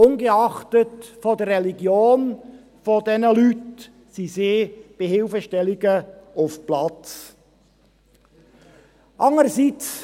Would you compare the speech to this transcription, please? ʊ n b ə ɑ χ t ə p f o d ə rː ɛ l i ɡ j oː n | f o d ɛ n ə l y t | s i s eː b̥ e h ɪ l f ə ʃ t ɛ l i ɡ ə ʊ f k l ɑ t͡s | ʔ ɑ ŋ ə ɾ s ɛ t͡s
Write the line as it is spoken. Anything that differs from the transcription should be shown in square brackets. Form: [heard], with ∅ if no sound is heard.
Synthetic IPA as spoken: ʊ n [ɡ] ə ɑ χ t ə [t] f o d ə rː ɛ l i ɡ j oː n | f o d ɛ n ə l y t | s i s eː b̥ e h ɪ l f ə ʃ t ɛ l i ɡ ə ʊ f [p] l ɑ t͡s | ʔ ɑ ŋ ə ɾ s [i] t͡s